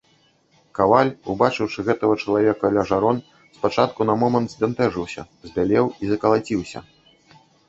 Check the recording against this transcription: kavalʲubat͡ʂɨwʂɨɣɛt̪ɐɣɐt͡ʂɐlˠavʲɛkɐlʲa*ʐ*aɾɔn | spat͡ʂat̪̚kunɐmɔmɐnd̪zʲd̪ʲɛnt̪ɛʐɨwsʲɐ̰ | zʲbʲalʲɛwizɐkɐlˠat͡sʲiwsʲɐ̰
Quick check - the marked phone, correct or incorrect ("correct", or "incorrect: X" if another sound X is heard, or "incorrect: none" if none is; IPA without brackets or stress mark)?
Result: correct